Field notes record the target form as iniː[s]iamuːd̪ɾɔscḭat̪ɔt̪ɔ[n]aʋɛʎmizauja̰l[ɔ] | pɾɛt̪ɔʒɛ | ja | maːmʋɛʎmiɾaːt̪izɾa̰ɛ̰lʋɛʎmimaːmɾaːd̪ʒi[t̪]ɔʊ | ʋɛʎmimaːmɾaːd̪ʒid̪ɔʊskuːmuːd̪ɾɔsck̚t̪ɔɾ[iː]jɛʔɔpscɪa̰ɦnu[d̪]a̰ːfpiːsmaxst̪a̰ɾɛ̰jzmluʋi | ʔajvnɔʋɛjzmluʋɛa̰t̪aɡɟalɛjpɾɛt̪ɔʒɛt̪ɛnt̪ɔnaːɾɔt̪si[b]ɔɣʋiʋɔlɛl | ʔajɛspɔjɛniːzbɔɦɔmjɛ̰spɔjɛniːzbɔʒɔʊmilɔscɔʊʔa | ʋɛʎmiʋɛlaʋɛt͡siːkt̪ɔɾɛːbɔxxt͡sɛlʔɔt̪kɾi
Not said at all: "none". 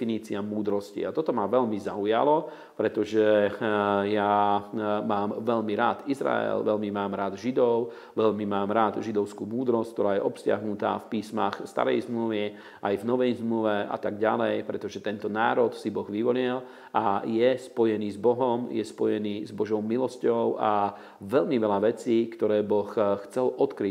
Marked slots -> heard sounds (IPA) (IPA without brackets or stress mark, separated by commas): t͡s, m, ɔ, d̪, aː, t̪, b